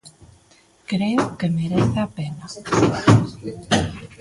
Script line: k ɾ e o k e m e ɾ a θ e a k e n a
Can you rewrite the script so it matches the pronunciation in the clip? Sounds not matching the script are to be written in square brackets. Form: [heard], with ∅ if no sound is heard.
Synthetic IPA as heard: k ɾ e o k e m e ɾ [e] θ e a [p] e n a